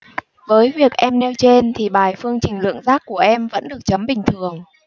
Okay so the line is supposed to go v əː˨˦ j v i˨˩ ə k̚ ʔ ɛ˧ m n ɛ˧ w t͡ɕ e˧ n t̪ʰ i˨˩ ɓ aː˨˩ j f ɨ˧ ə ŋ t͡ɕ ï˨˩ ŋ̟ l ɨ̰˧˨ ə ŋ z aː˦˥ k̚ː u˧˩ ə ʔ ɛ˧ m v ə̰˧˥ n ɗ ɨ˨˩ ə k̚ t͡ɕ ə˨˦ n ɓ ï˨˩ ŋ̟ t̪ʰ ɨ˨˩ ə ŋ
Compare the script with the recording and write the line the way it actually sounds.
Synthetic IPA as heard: v əː˨˦ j v i˨˩ ə k̚ ʔ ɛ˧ m n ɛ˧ w t͡ɕ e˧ n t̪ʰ i˨˩ ɓ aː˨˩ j f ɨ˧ ə ŋ t͡ɕ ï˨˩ ŋ̟ l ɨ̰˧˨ ə ŋ z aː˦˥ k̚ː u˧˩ ə ʔ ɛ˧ m v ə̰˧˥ n ɗ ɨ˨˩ ə k̚ t͡ɕ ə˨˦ m ɓ ï˨˩ ŋ̟ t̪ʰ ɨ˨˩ ə ŋ